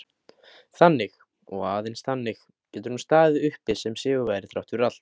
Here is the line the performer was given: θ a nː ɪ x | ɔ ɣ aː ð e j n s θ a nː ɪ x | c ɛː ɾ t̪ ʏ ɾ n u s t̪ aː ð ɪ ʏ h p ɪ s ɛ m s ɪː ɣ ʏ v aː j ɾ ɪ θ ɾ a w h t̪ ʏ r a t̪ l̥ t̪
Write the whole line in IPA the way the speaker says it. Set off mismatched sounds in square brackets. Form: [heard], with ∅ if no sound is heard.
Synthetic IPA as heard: θ a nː ɪ x | ɔ ɣ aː ð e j n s θ a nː ɪ x | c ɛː [∅] t̪ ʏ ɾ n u s t̪ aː ð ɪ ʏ h p ɪ s ɛ m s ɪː ɣ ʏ v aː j ɾ ɪ θ ɾ a w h t̪ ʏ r a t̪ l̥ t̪